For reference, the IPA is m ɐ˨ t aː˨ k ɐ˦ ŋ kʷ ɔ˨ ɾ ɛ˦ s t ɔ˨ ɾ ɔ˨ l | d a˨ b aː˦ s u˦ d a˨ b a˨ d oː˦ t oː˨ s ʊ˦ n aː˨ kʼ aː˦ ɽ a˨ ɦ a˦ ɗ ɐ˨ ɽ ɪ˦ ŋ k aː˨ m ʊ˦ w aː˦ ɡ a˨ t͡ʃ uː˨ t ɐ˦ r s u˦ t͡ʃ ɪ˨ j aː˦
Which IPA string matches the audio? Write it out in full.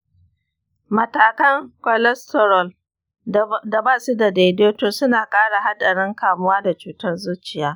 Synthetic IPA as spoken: m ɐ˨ t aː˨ k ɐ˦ ŋ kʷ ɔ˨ l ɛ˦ s t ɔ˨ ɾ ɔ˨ l | d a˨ b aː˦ s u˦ d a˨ d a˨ d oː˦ t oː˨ s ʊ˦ n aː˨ kʼ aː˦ ɽ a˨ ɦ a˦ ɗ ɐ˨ ɽ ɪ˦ ŋ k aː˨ m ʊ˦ w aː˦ d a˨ t͡ʃ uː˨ t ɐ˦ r z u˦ t͡ʃ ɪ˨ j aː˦

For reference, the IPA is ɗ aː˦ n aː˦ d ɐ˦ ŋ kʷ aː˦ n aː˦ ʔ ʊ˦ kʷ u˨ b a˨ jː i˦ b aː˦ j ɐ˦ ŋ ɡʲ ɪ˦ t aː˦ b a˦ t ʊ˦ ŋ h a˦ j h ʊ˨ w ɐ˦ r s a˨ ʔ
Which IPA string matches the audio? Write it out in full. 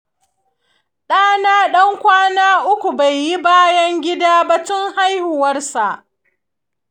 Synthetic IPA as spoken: ɗ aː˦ n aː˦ ɗ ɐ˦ ŋ kʷ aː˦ n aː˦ ʔ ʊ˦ kʷ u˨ b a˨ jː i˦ b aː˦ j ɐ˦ ŋ ɡʲ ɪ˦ d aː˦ b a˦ t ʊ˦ ŋ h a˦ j h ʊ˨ w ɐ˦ r s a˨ ʔ

